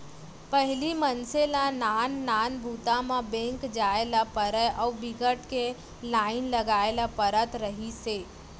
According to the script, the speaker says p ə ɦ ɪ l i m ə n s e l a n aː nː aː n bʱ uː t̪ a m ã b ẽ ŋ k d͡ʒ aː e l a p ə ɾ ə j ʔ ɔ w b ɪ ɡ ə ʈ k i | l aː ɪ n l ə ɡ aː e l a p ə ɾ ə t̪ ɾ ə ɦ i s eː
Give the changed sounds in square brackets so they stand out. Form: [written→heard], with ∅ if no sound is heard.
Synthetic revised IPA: p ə ɦ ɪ l i m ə n s e l a n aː nː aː n bʱ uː t̪ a m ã b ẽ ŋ k d͡ʒ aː e l a p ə ɾ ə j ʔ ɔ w b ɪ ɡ ə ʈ k [i→e] | l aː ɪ n l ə ɡ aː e l a p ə ɾ ə t̪ ɾ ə ɦ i s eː

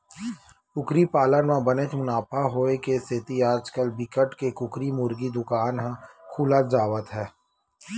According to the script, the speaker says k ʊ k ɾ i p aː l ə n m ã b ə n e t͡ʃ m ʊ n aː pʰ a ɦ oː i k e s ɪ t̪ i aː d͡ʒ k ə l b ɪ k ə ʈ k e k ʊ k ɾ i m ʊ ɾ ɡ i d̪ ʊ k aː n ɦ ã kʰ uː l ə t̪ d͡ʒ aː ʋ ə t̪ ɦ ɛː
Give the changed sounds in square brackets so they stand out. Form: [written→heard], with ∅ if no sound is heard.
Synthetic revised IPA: k ʊ k ɾ i p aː l ə n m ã b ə n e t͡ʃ m ʊ n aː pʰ a ɦ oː [i→e] k e s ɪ t̪ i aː d͡ʒ k ə l b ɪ k ə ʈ k e k ʊ k ɾ i m ʊ ɾ ɡ i d̪ ʊ k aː n ɦ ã kʰ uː l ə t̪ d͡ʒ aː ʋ ə t̪ ɦ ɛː

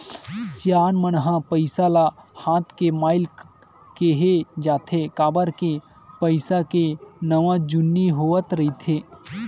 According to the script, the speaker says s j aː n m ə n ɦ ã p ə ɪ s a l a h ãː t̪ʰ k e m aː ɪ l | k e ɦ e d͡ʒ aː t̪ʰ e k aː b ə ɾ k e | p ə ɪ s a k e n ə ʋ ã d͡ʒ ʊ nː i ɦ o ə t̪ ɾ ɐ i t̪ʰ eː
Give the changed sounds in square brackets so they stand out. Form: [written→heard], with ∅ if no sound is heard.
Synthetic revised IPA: s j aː n m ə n ɦ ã p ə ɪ s a l a h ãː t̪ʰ k e m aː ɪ l | k e ɦ e d͡ʒ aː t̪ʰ e k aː b ə ɾ k e | p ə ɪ s a k e n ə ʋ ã d͡ʒ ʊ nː i ɦ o ə t̪ ɾ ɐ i t̪ʰ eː

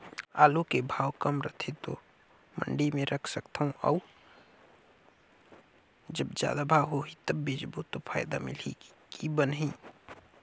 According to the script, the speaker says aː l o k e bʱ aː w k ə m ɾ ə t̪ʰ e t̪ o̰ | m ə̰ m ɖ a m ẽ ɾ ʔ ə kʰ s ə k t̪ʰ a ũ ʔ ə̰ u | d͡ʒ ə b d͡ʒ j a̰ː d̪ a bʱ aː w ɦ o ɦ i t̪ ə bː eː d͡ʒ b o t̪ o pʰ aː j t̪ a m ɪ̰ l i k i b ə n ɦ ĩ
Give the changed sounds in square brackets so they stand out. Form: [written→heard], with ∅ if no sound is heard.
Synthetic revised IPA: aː l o k e bʱ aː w k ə m ɾ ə t̪ʰ e t̪ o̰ | m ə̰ [m→ɳ] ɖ [a→i] m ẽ ɾ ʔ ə kʰ s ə k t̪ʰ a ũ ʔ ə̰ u | d͡ʒ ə b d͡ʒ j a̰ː d̪ a bʱ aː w ɦ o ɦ i t̪ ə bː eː d͡ʒ b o t̪ o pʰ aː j [t̪→d̪] a m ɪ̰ l i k i b ə n ɦ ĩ

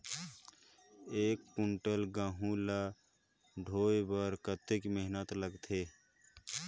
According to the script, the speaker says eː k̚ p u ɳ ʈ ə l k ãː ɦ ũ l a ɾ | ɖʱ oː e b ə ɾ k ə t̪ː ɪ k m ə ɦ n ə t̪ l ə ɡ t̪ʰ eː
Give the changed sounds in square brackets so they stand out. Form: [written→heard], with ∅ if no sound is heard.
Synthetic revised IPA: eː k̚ p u ɳ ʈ ə l [k→ɡ] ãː ɦ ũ l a [ɾ→∅] | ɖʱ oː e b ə ɾ k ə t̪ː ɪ k m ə ɦ n ə t̪ l ə ɡ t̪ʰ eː

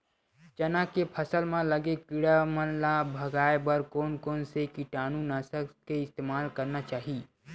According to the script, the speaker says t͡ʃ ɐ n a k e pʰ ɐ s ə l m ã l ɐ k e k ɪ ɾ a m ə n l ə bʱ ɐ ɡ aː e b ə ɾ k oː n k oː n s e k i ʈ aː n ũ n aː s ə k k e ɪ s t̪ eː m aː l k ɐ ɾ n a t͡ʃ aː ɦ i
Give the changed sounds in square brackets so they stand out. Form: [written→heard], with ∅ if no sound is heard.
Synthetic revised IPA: t͡ʃ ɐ n a k e pʰ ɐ s ə l m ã l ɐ [k→ɡ] e k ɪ [ɾ→ɽ] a m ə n l [ə→a] bʱ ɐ ɡ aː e b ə ɾ k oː n k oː n s e k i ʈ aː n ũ n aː s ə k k e ɪ s t̪ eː m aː l k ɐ ɾ n a t͡ʃ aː ɦ i

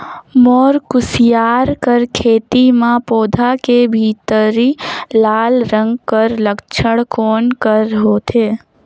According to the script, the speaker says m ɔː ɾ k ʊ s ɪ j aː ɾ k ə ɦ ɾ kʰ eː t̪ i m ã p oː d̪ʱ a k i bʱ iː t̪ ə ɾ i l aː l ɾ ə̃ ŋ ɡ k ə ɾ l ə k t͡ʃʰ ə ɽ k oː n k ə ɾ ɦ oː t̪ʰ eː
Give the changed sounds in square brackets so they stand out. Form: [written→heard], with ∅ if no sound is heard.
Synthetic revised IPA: m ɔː ɾ k ʊ s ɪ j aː ɾ k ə [ɦ→∅] ɾ kʰ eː t̪ i m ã p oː d̪ʱ a k [i→e] bʱ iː t̪ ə ɾ i l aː l ɾ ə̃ ŋ ɡ k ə ɾ l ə k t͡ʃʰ ə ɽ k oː n k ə ɾ ɦ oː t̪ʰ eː

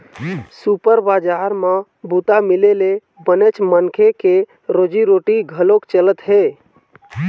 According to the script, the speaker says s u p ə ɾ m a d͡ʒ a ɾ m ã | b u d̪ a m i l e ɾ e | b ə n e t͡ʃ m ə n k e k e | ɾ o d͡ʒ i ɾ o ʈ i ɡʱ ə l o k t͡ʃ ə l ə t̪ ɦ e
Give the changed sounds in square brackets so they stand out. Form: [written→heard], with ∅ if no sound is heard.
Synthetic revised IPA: s u p ə ɾ [m→b] a d͡ʒ a ɾ m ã | b u [d̪→t̪] a m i l e [ɾ→l] e | b ə n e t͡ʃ m ə n [k→kʰ] e k e | ɾ o d͡ʒ i ɾ o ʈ i ɡʱ ə l o k t͡ʃ ə l ə t̪ ɦ e

